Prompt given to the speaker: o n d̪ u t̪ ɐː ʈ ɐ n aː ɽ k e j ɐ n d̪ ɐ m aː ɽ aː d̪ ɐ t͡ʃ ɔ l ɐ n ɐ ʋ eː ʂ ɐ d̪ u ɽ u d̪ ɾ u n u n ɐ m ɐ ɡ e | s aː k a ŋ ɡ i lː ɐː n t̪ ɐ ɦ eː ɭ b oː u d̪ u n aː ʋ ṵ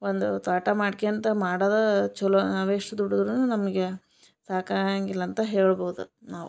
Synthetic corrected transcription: o n d̪ u t̪ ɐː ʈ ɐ m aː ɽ k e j ɐ n t̪ ɐ m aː ɽ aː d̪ ɐ t͡ʃ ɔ l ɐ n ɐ ʋ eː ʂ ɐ d̪ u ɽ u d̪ ɾ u n u n ɐ m ɐ ɡ e | s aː k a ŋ ɡ i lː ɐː n t̪ ɐ ɦ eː ɭ b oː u d̪ u n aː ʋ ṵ